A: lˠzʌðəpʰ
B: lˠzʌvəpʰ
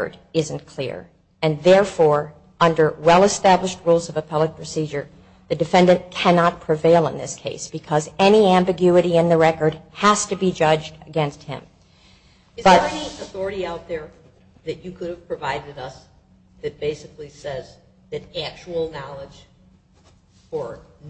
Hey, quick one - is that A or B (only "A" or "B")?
B